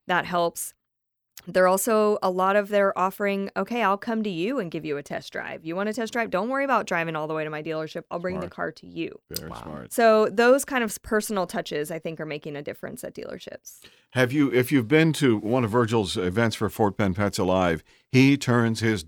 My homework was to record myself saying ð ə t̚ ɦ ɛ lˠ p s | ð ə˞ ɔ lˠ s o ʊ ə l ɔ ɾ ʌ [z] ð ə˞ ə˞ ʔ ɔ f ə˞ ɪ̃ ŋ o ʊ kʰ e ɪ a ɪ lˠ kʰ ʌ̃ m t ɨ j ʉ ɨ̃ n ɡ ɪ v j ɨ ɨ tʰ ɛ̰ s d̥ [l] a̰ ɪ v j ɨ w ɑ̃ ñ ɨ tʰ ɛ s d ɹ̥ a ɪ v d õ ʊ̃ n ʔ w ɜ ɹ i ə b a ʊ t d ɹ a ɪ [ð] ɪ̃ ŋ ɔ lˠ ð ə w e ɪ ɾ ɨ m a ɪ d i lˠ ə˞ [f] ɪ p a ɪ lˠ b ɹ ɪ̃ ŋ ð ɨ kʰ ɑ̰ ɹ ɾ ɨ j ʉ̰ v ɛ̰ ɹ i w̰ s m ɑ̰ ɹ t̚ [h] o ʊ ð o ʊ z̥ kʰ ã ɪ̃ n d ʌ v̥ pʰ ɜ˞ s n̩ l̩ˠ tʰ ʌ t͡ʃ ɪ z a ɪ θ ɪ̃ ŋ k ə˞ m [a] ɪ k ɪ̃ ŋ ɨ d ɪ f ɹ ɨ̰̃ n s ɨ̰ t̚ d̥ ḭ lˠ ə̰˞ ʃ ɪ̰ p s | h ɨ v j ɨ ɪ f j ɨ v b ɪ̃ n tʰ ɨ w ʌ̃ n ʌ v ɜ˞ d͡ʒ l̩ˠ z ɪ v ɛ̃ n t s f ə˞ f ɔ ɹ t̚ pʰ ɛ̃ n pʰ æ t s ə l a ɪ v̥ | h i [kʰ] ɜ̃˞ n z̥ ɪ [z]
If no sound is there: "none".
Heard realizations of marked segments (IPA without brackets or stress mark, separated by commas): v, ɹ, v, ʃ, s, e, tʰ, z